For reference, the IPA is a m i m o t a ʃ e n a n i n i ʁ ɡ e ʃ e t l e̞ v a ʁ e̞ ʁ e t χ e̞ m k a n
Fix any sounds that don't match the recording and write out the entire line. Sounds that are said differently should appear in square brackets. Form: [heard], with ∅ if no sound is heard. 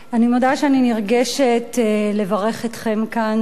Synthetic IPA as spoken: a [n] i m o [d] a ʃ e [∅] a n i n i ʁ ɡ e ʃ e t l e̞ v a ʁ e̞ [χ] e t χ e̞ m k a n